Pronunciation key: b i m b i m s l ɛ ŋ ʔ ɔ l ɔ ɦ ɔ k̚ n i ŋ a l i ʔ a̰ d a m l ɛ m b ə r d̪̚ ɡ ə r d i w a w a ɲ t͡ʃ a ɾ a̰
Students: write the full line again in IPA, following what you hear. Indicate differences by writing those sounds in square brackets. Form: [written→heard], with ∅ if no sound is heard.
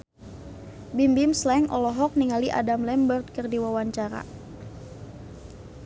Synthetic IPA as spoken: b i m b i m s l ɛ ŋ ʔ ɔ l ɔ ɦ ɔ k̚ n i ŋ a l i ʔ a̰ d a m l ɛ m b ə r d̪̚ [ɡ→k] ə r d i w a w a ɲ t͡ʃ a ɾ a̰